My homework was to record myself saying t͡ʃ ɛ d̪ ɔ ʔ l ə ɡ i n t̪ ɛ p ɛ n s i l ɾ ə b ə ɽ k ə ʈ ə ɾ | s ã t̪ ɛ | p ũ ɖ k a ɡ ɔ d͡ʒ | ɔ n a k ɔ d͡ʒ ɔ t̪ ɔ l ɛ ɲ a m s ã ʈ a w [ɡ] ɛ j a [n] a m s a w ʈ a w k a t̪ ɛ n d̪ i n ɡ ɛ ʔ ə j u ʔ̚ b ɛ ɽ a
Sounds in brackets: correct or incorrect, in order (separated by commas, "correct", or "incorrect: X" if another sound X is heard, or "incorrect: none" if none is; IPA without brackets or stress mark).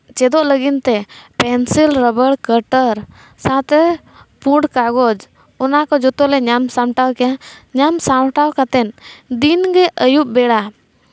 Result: incorrect: k, incorrect: ɲ